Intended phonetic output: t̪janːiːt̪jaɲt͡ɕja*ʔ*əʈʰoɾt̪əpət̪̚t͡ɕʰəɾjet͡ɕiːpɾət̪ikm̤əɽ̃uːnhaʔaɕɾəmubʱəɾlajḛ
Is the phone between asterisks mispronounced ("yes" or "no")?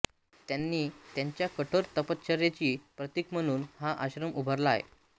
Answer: yes